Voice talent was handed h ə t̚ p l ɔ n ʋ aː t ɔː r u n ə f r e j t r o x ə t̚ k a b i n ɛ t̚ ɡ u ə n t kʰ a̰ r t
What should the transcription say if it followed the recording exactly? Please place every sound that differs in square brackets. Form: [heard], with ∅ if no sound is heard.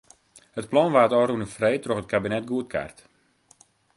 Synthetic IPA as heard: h ə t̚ p l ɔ n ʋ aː t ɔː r u n ə f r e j t r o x ə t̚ k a b i n ɛ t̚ ɡ u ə [∅] t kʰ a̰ r t